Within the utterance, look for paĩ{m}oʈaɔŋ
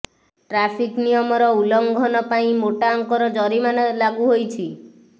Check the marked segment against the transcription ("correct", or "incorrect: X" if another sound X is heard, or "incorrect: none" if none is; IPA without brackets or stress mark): correct